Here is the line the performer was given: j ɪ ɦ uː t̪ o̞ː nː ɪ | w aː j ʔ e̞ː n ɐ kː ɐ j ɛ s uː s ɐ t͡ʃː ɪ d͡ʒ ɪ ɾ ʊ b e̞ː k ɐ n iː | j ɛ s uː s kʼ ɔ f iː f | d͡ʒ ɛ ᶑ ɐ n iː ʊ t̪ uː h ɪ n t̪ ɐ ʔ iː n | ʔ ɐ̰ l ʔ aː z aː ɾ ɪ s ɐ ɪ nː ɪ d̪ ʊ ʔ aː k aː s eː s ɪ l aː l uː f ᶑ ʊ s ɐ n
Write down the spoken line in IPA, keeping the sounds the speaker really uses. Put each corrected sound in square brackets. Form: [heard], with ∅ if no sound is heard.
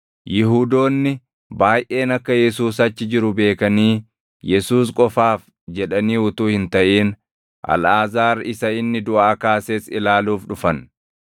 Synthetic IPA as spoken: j ɪ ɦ uː [d̪] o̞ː nː ɪ | [b] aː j ʔ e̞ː n ɐ kː ɐ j ɛ s uː s ɐ t͡ʃː ɪ d͡ʒ ɪ ɾ ʊ b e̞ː k ɐ n iː | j ɛ s uː s kʼ ɔ f [aː] f | d͡ʒ ɛ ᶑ ɐ n iː ʊ t̪ uː h ɪ n t̪ ɐ ʔ iː n | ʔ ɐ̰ l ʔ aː z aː ɾ ɪ s ɐ ɪ nː ɪ d̪ ʊ ʔ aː k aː s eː s ɪ l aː l uː f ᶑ ʊ [f] ɐ n